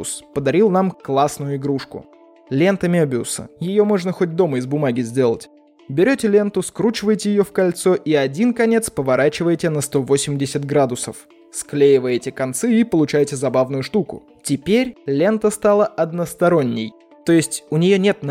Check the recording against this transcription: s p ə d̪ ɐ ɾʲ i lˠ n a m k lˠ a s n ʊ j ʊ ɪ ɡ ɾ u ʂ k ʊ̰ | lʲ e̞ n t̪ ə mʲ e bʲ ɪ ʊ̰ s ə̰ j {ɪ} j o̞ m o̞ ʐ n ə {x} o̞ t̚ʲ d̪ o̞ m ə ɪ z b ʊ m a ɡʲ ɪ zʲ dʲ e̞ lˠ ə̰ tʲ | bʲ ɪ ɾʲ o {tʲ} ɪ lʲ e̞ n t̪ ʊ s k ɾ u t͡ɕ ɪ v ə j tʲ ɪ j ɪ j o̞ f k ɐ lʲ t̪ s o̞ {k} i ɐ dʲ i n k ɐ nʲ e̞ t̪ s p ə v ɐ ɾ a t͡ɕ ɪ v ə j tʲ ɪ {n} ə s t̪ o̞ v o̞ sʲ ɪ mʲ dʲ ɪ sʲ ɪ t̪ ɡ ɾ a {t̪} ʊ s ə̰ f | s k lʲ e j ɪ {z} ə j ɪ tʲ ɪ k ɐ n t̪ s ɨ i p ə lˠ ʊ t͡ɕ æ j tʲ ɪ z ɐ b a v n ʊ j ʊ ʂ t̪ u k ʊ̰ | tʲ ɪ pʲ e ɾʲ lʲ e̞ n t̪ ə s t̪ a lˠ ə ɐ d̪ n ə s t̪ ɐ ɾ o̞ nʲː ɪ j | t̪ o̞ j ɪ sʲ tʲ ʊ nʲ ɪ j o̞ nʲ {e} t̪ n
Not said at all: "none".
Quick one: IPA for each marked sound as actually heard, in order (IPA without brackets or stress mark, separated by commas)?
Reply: ɪ, x, tʲ, ʔ, n, d̪, v, e